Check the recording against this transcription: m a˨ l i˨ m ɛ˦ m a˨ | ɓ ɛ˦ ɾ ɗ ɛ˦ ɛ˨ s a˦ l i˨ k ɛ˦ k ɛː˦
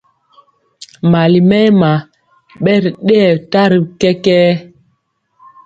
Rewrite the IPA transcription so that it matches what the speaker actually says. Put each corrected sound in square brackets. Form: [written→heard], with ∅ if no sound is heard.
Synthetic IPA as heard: m a˨ l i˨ m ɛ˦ m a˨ | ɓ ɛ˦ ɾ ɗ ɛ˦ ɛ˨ [s→t] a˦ [l→ɾ] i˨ k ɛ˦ k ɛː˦